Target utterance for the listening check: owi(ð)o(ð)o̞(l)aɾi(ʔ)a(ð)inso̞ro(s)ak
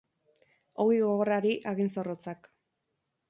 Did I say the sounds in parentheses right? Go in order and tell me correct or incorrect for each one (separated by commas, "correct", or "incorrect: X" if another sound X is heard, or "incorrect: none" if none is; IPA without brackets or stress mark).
incorrect: ɣ, incorrect: ɣ, incorrect: r, correct, incorrect: ɣ, incorrect: t͡s